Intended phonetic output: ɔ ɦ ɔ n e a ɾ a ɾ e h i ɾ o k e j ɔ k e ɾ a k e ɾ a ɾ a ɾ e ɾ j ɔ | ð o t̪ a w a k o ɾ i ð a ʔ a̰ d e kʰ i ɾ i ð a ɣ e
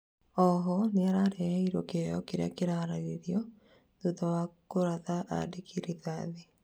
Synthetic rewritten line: ɔ ɦ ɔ n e a ɾ a ɾ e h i ɾ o k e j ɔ k e ɾ a k e ɾ a ɾ a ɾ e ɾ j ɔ | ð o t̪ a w a k o ɾ a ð a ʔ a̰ d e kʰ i ɾ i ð a ð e